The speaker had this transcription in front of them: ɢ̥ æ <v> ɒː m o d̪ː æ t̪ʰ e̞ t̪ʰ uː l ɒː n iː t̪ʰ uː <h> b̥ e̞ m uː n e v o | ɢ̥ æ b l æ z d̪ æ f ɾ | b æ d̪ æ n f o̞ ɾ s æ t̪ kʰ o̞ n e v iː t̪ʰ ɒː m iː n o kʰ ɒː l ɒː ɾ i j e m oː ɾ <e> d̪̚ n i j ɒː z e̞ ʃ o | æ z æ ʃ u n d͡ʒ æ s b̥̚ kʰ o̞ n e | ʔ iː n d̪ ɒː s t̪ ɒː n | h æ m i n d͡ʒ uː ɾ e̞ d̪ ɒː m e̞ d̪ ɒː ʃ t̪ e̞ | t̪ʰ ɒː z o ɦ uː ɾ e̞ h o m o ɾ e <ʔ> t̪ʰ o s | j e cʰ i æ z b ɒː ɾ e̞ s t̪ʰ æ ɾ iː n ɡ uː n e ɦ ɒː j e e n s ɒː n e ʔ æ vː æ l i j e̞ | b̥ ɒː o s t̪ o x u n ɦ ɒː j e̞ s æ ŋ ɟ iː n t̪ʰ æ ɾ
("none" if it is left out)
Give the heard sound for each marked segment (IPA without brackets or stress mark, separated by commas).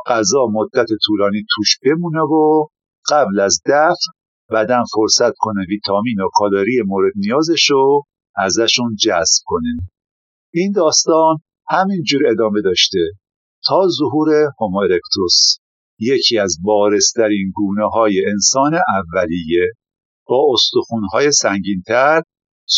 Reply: z, ʃ, e, k